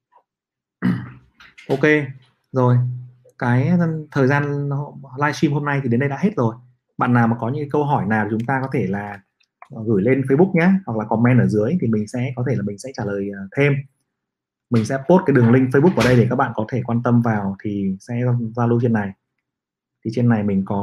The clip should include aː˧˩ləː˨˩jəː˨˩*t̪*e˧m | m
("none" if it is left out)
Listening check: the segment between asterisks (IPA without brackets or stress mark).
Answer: t̪ʰ